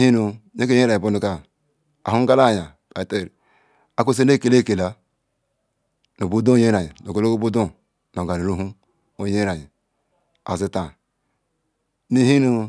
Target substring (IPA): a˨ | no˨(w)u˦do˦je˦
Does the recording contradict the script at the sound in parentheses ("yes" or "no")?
yes